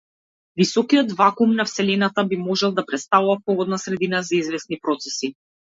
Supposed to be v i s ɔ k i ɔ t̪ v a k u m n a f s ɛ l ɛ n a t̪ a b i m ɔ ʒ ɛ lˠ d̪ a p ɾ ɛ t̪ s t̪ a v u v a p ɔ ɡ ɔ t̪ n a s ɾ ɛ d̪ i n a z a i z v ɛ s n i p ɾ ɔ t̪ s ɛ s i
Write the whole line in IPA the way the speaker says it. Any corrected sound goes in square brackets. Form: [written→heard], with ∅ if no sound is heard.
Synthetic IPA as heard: v i s ɔ k i ɔ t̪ v a k u m n a f s ɛ l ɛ n a t̪ a b i m ɔ ʒ ɛ lˠ d̪ a p ɾ ɛ t̪ s t̪ a v u v a p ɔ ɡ ɔ [t̪→d̪] n a s ɾ ɛ d̪ i n a z a i z v ɛ s n i p ɾ ɔ t̪ s ɛ s i